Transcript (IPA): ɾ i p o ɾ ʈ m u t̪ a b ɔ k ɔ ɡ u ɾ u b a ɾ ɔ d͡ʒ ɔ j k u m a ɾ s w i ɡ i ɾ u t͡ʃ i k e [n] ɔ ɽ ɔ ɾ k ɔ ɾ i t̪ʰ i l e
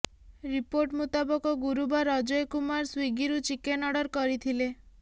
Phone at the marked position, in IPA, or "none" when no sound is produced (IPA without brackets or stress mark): n